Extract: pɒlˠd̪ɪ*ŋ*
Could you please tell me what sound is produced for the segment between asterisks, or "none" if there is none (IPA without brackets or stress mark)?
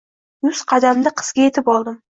m